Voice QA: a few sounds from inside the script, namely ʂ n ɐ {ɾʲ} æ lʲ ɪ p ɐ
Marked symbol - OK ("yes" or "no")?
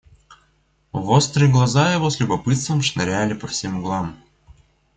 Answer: yes